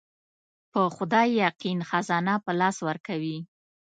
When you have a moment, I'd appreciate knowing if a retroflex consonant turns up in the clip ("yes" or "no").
no